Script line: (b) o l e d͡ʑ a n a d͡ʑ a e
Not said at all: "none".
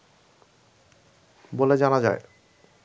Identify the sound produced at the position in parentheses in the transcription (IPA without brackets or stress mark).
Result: b